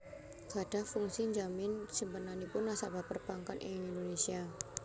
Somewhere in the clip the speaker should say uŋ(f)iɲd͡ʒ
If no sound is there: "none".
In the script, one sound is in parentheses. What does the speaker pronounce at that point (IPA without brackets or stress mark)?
s